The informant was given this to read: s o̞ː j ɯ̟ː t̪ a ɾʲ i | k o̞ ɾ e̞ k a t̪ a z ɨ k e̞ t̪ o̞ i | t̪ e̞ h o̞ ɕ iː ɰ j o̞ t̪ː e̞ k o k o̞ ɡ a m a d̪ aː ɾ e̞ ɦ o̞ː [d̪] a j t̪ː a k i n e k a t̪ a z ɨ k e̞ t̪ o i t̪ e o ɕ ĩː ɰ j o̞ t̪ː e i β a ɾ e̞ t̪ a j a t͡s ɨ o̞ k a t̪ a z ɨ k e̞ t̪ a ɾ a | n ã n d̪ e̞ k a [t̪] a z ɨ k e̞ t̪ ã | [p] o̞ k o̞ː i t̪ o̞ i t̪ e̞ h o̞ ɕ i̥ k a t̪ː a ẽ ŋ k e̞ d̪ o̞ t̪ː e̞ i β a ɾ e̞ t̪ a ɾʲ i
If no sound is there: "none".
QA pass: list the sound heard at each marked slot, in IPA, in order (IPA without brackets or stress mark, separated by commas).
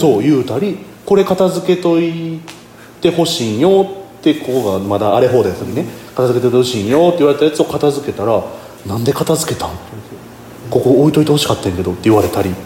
d̪, t̪, k